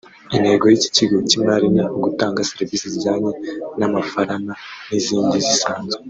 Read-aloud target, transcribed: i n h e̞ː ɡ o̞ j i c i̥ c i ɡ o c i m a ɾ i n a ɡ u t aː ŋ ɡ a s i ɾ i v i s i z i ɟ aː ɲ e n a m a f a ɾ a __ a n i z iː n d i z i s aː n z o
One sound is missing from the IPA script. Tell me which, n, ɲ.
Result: n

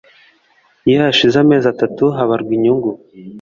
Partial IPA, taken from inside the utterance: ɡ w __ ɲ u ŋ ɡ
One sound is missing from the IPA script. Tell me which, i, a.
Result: i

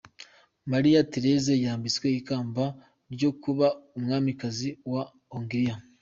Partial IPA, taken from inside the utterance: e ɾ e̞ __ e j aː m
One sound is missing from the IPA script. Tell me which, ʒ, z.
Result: z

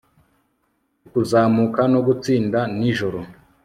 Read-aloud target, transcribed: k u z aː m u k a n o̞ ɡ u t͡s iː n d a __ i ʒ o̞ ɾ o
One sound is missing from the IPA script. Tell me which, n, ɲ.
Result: n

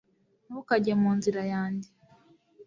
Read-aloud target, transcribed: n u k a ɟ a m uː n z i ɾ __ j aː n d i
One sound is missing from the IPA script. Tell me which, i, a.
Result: a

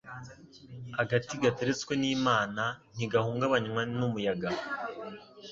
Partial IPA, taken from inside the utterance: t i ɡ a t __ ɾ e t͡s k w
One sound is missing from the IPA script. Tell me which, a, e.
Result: e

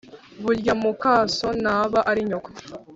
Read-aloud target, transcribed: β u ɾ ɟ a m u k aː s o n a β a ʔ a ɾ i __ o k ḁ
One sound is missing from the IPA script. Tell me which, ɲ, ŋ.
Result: ɲ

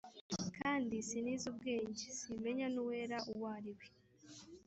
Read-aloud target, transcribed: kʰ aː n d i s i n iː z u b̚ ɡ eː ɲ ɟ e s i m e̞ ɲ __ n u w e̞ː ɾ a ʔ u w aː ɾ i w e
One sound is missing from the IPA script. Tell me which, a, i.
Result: a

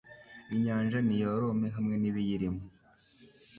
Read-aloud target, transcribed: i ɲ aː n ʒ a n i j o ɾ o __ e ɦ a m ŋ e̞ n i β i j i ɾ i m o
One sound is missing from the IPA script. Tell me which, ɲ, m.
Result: m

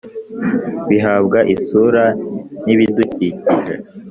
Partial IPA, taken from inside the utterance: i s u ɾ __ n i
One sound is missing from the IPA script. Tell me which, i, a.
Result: a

